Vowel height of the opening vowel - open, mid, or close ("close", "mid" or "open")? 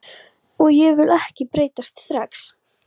mid